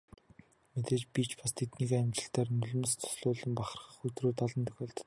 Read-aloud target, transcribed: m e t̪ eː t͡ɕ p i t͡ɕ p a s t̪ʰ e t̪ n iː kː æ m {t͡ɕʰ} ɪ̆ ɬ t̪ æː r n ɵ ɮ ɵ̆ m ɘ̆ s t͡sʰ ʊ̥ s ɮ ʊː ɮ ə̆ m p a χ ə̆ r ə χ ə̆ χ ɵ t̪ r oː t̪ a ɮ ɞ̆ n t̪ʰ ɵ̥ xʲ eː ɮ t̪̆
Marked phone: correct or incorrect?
incorrect